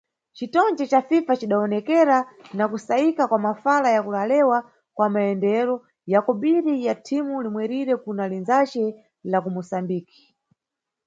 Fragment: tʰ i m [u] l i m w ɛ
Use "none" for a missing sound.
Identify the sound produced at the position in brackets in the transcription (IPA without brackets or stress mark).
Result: u